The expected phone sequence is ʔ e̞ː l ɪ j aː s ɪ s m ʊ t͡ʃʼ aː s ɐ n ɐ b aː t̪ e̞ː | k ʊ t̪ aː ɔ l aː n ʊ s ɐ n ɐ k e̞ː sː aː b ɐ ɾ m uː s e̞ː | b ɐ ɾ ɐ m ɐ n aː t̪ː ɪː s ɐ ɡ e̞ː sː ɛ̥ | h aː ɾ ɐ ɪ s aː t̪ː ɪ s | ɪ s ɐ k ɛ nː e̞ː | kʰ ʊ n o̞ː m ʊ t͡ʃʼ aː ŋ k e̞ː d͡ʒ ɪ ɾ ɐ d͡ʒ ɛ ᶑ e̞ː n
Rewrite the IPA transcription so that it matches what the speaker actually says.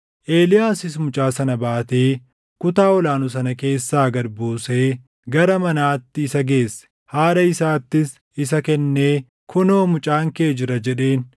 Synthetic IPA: ʔ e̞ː l ɪ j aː s ɪ s m ʊ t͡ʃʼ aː s ɐ n ɐ b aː t̪ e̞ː | k ʊ t̪ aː ɔ l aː n ʊ s ɐ n ɐ k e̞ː sː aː ɡ ɐ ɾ b uː s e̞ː | ɡ ɐ ɾ ɐ m ɐ n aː t̪ː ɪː s ɐ ɡ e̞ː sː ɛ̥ | h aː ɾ ɐ ɪ s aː t̪ː ɪ s | ɪ s ɐ k ɛ nː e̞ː | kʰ ʊ n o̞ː m ʊ t͡ʃʼ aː ŋ k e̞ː d͡ʒ ɪ ɾ ɐ d͡ʒ ɛ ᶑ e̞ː n